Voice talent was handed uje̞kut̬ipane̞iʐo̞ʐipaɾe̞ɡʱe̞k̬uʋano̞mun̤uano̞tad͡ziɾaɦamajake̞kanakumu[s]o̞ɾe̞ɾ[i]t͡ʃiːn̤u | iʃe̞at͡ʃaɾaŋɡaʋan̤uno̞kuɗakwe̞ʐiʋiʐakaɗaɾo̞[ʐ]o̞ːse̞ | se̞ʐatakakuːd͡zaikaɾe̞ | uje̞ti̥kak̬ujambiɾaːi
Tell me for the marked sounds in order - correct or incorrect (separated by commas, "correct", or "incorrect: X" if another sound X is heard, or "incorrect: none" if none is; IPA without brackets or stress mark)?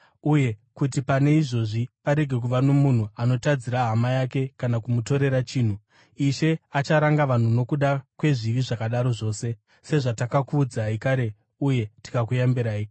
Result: incorrect: t, incorrect: a, correct